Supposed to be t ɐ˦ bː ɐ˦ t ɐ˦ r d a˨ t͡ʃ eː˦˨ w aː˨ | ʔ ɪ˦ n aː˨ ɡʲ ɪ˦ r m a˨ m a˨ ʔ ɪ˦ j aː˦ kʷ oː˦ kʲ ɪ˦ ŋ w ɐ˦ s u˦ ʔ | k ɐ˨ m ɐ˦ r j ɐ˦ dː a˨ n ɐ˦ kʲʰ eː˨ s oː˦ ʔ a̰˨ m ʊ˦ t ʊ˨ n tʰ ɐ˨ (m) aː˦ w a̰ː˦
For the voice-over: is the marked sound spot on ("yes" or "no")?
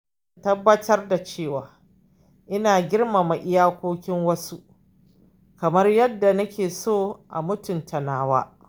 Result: no